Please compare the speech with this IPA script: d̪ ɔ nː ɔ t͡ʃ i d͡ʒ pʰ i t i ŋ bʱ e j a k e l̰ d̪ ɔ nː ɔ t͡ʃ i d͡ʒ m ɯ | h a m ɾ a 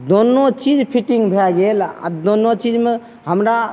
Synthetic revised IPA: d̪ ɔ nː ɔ t͡ʃ i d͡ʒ pʰ i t i ŋ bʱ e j a ɡ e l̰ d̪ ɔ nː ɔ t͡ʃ i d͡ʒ m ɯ | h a m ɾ a